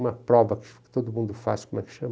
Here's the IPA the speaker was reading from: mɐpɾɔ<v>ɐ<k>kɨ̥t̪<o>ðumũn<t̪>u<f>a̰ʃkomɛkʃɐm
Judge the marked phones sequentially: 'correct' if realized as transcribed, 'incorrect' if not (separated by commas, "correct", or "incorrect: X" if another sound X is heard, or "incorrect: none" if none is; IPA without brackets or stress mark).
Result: correct, correct, correct, incorrect: d̪, correct